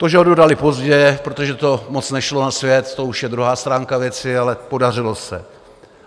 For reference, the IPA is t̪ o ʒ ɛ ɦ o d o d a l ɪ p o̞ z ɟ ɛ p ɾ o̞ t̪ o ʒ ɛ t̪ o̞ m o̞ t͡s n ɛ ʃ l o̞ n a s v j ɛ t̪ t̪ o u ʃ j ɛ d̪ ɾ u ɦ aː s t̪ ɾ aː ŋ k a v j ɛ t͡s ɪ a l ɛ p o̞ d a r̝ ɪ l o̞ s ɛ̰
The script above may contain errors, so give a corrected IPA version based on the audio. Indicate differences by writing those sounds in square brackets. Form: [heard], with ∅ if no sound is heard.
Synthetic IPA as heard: t̪ o ʒ ɛ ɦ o d o d a l ɪ p o̞ z ɟ ɛ p ɾ o̞ t̪ o ʒ ɛ t̪ o̞ m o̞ t͡s n ɛ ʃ l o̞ n a s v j ɛ t̪ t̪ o u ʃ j ɛ d̪ ɾ u ɦ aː s t̪ ɾ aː ŋ k a v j ɛ t͡s ɪ a l ɛ p o̞ d a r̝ ɪ l o̞ s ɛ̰